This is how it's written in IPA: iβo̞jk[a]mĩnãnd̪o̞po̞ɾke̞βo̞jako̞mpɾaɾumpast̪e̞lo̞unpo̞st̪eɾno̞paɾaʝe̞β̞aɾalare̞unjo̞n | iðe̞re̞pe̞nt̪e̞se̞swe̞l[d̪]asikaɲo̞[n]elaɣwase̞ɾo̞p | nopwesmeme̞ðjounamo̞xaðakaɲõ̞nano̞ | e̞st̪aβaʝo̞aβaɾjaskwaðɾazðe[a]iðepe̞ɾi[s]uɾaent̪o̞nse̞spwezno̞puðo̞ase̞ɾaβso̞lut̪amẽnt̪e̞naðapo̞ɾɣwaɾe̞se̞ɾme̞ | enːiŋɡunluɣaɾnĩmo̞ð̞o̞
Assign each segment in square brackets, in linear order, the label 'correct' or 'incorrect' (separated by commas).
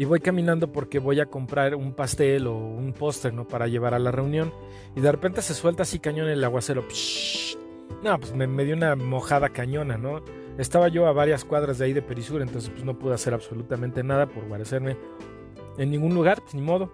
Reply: correct, incorrect, correct, correct, correct